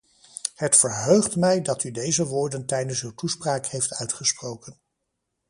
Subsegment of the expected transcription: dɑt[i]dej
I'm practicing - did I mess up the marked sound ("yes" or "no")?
yes